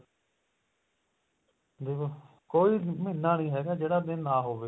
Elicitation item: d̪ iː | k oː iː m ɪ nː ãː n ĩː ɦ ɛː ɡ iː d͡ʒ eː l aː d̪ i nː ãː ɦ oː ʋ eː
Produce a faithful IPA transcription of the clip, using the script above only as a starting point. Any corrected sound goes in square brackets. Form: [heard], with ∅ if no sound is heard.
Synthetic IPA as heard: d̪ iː | k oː iː m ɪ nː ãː n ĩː ɦ ɛː ɡ [aː] d͡ʒ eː [ɽ] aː d̪ [ɪ] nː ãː ɦ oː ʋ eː